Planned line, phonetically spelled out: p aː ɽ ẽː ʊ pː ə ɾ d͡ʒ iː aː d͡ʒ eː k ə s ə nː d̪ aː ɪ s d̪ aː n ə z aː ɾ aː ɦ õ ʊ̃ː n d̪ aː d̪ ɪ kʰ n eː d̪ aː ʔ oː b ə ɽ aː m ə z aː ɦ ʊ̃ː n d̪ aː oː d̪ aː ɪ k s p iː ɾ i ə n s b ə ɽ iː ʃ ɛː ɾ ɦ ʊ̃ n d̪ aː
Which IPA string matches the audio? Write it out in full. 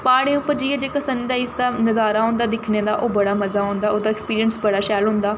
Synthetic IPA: p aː ɽ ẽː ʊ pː ə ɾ d͡ʒ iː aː d͡ʒ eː k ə s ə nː d̪ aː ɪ s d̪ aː n ə z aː ɾ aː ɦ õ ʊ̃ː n d̪ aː d̪ ɪ kʰ n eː d̪ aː ʔ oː b ə ɽ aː m ə z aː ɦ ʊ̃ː n d̪ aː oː d̪ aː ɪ k s p iː ɾ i ə n s b ə ɽ aː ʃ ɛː l ɦ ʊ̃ n d̪ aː